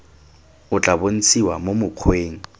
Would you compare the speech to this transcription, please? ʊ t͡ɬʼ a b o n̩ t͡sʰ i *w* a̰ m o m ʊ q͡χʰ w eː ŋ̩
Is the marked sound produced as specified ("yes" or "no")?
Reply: yes